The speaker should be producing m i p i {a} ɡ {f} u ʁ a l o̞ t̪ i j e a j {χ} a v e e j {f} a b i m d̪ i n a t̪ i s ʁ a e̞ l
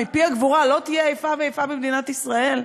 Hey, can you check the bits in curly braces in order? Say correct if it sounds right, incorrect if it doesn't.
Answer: correct, incorrect: v, incorrect: f, correct

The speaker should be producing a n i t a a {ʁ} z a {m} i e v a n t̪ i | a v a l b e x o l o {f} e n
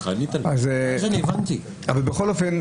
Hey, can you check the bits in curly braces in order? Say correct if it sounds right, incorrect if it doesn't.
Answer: incorrect: z, incorrect: n, correct

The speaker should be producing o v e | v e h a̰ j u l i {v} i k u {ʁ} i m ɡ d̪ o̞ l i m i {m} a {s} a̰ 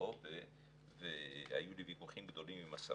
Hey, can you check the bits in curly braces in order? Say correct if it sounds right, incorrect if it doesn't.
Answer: correct, incorrect: χ, correct, correct

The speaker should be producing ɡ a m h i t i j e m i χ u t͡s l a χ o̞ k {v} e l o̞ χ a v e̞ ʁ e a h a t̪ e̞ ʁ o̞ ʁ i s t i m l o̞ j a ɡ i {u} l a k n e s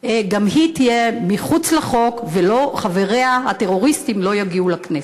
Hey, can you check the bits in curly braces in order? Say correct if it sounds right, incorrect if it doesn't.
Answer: correct, correct

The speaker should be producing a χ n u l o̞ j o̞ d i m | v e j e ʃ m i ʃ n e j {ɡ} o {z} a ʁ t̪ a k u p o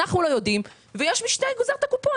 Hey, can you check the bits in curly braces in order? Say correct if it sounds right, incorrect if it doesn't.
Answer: correct, correct

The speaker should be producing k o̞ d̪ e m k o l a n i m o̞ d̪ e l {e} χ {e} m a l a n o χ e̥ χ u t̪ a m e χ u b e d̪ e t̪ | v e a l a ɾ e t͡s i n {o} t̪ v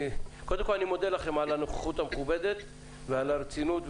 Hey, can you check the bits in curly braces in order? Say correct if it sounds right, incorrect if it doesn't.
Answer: incorrect: a, correct, incorrect: u

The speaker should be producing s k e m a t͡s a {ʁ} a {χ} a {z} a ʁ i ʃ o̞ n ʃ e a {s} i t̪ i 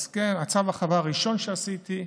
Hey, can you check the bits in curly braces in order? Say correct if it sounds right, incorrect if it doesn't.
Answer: incorrect: v, correct, incorrect: v, correct

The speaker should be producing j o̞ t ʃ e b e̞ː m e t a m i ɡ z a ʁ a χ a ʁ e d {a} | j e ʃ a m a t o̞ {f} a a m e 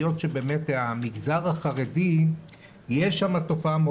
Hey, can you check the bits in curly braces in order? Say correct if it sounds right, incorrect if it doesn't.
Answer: incorrect: i, correct

